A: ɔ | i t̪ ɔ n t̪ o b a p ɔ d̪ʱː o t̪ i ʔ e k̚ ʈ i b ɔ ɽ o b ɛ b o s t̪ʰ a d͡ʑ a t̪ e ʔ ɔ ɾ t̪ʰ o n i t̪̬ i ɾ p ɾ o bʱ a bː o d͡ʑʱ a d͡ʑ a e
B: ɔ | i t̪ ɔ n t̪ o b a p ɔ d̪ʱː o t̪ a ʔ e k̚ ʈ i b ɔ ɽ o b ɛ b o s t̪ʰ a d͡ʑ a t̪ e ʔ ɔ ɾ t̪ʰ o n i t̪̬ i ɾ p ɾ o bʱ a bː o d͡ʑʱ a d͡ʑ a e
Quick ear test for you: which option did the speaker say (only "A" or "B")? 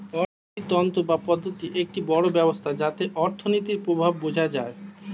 A